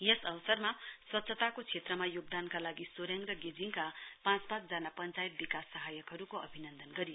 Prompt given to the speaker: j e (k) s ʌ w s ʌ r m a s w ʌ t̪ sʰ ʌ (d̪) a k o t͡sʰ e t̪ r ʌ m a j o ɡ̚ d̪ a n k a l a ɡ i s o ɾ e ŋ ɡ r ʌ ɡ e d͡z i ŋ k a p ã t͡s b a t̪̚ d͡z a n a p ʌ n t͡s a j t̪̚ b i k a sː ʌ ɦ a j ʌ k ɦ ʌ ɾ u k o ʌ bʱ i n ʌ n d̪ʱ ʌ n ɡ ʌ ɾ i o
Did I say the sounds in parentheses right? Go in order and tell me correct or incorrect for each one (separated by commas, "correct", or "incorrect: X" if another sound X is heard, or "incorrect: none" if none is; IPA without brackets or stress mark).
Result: incorrect: none, incorrect: t̪